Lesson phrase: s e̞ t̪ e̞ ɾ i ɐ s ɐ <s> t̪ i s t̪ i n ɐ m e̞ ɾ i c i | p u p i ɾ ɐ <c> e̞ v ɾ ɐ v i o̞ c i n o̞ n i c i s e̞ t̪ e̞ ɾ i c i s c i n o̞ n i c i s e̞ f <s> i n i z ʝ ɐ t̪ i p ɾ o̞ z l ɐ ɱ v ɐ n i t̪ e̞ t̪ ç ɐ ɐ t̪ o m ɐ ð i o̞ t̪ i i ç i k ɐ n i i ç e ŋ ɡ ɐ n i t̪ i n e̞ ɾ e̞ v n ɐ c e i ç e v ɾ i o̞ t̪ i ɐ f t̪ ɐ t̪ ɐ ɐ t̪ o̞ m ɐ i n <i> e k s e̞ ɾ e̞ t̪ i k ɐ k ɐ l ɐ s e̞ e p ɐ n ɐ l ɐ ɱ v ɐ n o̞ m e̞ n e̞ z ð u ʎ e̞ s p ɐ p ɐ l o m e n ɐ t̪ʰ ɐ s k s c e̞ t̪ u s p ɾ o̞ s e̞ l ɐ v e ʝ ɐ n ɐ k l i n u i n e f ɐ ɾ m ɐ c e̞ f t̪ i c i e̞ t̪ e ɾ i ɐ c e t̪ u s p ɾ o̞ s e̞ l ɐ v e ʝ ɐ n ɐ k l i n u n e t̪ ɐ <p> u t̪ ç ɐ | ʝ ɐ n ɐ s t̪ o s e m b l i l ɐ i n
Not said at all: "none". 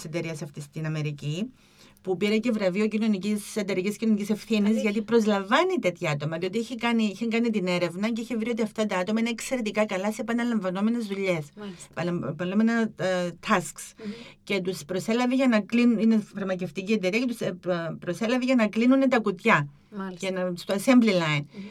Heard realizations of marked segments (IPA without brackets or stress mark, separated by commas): f, c, θ, e, k